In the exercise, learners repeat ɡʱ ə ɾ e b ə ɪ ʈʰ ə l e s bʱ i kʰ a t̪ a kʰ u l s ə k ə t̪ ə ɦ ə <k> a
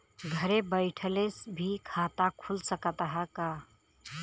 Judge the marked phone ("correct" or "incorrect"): correct